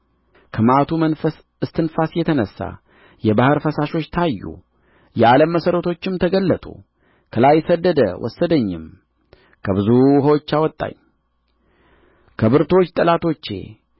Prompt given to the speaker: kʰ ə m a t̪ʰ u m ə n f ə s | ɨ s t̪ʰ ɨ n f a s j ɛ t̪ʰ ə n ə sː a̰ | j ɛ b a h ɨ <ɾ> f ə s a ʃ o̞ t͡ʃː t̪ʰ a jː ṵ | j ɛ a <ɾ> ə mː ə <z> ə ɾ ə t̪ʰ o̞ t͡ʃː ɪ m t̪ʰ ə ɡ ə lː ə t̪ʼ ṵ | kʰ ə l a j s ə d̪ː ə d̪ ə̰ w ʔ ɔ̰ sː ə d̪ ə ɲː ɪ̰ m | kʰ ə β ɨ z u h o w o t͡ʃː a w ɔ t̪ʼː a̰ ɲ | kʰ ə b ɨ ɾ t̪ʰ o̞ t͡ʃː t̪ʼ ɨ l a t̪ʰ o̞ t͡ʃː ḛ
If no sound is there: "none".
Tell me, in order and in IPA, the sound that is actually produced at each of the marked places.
ɾ, l, s

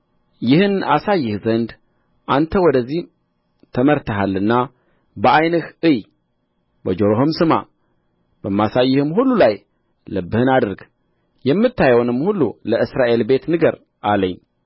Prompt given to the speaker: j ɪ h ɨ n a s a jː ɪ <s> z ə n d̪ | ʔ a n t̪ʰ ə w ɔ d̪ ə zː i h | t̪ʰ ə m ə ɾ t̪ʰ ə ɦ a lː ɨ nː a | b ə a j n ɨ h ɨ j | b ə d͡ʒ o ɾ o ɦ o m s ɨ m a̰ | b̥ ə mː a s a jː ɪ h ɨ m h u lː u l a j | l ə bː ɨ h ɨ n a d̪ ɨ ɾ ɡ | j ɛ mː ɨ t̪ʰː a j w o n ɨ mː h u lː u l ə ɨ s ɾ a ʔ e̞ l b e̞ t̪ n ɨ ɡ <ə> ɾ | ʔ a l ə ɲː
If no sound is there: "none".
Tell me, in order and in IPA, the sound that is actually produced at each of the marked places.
h, ə

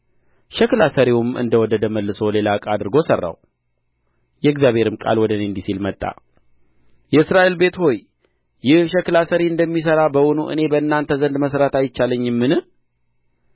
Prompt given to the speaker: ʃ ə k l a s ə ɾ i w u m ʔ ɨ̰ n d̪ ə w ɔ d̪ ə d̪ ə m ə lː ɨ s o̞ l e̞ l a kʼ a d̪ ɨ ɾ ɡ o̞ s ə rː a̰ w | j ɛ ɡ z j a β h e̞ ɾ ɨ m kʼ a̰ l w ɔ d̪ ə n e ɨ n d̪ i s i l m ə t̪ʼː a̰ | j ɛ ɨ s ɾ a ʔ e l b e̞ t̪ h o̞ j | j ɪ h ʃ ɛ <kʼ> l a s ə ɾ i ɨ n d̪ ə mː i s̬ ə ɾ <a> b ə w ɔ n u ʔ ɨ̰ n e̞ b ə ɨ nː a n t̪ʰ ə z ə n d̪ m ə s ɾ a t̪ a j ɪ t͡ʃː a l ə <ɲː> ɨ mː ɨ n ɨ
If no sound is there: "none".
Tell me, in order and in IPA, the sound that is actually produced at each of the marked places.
k, a, ɲː

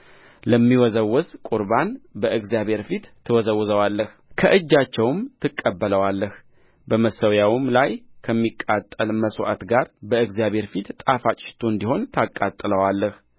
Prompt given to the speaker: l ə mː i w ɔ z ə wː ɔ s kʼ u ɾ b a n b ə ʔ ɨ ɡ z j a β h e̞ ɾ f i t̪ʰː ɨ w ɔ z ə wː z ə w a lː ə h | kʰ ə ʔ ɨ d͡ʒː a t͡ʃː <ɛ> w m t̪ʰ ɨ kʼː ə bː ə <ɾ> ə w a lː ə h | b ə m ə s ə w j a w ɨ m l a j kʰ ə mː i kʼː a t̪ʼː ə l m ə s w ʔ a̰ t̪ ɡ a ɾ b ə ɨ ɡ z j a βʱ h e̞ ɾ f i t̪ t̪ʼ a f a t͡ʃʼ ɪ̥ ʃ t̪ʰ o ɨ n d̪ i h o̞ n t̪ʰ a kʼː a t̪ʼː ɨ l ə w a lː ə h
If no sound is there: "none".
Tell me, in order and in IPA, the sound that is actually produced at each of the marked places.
ɛ, l

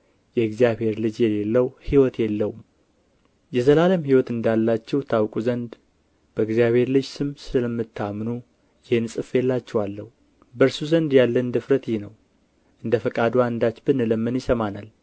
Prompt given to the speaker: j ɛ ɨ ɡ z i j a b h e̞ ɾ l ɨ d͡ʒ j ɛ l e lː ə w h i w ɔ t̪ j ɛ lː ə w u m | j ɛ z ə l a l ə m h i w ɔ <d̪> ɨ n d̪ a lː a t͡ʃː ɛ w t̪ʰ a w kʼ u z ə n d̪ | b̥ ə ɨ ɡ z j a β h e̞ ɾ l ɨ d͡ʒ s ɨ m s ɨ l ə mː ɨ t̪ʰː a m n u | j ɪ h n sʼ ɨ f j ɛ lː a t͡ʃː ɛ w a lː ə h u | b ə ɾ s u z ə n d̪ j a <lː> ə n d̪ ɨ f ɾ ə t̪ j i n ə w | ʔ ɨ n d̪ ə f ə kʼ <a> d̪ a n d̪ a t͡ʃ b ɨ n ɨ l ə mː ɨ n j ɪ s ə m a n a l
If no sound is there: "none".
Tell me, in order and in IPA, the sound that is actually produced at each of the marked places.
t̪, lː, a

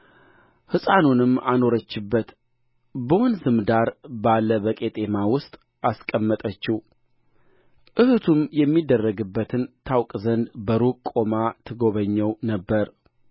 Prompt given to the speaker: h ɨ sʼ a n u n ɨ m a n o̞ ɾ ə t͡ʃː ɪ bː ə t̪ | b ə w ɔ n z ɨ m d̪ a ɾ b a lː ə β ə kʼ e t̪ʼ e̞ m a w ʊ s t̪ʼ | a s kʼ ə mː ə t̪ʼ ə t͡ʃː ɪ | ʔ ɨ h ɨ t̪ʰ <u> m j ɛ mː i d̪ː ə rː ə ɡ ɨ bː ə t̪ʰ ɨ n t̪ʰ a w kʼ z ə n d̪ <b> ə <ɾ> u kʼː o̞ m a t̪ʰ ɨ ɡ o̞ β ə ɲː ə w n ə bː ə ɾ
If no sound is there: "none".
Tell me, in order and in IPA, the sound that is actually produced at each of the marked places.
u, b, ɾ

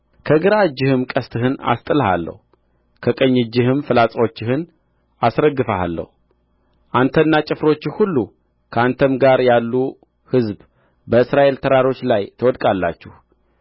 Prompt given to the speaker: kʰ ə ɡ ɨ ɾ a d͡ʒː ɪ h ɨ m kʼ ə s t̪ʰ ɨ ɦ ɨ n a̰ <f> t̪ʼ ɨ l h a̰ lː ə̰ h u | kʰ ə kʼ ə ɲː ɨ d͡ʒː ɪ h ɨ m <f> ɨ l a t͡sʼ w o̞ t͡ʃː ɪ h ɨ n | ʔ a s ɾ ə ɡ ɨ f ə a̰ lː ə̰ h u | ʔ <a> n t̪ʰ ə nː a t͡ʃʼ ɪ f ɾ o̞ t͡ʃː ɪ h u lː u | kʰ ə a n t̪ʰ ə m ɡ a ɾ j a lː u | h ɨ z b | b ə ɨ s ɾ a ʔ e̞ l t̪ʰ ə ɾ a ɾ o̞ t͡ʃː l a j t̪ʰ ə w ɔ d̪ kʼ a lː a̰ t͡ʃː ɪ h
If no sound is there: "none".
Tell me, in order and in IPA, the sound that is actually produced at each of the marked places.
s, f, a

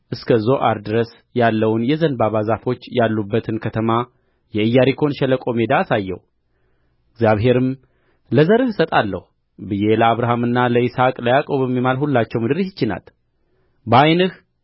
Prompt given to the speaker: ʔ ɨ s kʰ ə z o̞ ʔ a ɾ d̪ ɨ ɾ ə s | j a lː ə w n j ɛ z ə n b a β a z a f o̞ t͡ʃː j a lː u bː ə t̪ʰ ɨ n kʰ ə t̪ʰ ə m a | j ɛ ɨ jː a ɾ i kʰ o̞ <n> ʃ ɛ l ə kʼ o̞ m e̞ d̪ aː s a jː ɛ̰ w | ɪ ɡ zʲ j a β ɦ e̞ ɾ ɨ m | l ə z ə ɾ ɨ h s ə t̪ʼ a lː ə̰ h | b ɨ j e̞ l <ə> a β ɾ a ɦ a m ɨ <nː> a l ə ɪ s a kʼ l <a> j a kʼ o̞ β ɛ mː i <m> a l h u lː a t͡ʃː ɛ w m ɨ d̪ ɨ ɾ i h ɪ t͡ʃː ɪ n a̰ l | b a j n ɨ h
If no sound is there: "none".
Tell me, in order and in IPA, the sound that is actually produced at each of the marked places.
n, ə, nː, ə, m

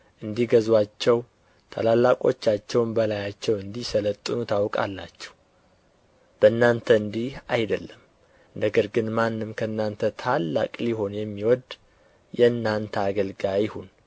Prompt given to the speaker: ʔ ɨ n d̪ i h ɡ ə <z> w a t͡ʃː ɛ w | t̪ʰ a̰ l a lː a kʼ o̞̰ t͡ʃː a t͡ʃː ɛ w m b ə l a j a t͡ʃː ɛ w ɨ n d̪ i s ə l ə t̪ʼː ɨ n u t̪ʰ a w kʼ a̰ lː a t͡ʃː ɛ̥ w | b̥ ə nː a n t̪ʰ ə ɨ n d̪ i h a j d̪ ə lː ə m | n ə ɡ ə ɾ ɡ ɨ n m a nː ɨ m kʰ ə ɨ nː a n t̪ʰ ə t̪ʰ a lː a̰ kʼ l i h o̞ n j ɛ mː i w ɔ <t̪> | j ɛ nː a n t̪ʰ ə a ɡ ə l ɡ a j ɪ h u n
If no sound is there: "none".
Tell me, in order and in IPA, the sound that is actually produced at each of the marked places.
z, d̪

